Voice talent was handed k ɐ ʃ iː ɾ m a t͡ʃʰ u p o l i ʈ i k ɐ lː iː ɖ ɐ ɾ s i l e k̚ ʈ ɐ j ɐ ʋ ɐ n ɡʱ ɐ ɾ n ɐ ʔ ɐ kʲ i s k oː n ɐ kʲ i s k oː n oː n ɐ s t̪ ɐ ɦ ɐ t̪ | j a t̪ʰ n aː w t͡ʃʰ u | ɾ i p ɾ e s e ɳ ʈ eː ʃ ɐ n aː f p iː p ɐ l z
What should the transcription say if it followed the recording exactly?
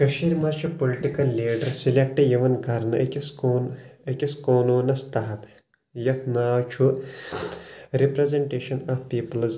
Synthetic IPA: k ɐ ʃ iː ɾ m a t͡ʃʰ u p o l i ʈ i k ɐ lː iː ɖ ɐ ɾ s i l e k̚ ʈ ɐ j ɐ ʋ ɐ n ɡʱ ɐ ɾ n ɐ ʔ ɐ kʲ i s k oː n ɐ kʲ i s k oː n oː n ɐ s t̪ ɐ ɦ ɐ t̪ | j ɐ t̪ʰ n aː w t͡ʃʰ u | ɾ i p ɾ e z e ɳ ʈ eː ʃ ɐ n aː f p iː p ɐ l z

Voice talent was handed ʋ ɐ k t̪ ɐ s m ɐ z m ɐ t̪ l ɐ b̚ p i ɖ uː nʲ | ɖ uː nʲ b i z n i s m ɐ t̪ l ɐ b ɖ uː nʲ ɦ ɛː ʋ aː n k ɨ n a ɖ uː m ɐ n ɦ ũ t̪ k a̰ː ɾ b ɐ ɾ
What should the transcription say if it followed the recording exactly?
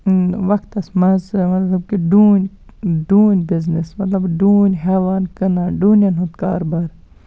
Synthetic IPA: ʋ ɐ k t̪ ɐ s m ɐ z m ɐ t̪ l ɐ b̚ k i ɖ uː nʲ | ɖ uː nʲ b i z n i s m ɐ t̪ l ɐ b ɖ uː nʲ ɦ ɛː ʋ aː n k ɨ n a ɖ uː n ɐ n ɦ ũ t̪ k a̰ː ɾ b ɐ ɾ

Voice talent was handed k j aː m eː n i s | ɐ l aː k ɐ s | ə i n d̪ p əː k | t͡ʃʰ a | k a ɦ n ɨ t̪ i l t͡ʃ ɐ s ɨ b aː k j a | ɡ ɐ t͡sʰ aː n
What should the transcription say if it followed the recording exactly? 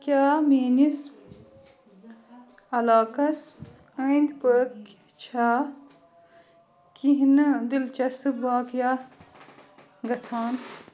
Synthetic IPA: k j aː m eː n i s | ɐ l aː k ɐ s | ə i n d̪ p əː k | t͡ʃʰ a | k i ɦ n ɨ d̪ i l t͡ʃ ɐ s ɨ b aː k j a | ɡ ɐ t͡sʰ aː n

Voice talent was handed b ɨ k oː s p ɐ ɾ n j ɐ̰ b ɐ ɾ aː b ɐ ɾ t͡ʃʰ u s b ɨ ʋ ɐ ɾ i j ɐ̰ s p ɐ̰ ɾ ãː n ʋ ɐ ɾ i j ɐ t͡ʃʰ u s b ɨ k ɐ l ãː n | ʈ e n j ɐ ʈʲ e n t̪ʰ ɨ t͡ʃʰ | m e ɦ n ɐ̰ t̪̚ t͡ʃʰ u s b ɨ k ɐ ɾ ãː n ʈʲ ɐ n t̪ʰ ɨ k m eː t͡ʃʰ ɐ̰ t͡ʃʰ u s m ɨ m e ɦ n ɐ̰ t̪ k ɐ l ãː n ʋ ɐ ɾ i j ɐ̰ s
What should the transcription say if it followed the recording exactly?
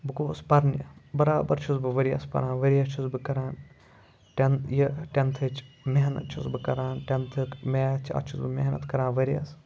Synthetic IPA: b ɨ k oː s p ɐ ɾ n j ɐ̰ b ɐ ɾ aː b ɐ ɾ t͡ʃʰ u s b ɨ ʋ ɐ ɾ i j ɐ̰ s p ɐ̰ ɾ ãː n ʋ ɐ ɾ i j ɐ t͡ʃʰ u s b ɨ k ɐ ɾ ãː n | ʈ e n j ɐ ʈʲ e n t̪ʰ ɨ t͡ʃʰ | m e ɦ n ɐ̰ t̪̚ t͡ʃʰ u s b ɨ k ɐ ɾ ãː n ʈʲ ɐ n t̪ʰ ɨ k m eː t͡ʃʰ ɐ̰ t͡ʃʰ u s b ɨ m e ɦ n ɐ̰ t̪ k ɐ ɾ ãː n ʋ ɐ ɾ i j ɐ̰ s

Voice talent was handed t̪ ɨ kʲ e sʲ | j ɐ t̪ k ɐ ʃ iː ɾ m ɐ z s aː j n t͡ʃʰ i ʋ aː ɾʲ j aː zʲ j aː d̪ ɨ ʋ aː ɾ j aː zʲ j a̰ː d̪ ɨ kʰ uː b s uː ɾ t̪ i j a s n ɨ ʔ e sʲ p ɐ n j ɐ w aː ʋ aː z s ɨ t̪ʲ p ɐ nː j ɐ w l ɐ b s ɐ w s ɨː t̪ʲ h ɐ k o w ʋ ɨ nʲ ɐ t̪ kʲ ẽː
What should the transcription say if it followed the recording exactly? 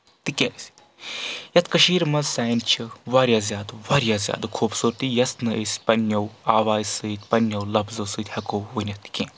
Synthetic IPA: t̪ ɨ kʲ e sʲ | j ɐ t̪ k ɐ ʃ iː ɾ m ɐ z s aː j n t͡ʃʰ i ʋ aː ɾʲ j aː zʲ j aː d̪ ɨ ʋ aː ɾ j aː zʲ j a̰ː d̪ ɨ kʰ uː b s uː ɾ t̪ i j ɐ s n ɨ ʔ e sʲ p ɐ n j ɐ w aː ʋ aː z s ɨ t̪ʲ p ɐ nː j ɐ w l ɐ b z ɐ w s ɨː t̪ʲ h ɐ k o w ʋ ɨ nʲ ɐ t̪ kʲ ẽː

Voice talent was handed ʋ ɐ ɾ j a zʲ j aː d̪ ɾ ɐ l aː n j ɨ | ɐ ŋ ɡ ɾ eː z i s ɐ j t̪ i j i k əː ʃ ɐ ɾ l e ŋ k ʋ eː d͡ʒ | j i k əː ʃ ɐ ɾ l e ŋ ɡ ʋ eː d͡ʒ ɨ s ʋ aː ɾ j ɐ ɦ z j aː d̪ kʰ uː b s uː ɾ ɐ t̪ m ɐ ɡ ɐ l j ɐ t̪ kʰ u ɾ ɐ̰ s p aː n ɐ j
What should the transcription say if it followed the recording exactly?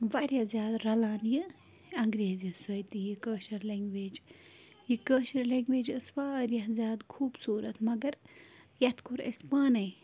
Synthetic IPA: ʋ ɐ ɾ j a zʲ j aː d̪ ɾ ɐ l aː n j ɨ | ɐ ŋ ɡ ɾ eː z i s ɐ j t̪ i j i k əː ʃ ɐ ɾ l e ŋ ɡ ʋ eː d͡ʒ | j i k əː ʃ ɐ ɾ l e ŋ ɡ ʋ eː d͡ʒ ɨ s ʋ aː ɾ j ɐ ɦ z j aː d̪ kʰ uː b s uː ɾ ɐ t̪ m ɐ ɡ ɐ ɾ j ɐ t̪ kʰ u ɾ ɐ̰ s p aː n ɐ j

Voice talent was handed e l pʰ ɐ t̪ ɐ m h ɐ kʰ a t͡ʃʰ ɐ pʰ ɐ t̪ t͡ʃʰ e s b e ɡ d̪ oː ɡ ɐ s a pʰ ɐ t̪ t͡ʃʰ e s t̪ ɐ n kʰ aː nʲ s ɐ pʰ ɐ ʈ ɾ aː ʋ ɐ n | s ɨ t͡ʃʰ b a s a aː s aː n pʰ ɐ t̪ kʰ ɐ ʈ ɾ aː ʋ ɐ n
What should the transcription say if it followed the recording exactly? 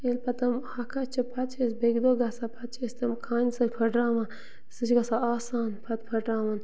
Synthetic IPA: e l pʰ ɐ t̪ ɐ m h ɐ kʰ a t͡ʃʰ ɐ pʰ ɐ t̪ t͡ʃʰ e s b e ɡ d̪ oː ɡ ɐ s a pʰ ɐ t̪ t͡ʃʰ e s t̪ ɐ m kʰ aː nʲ s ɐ pʰ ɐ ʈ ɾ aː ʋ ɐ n | s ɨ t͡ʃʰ ɡ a s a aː s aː n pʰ ɐ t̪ pʰ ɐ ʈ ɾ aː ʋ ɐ n

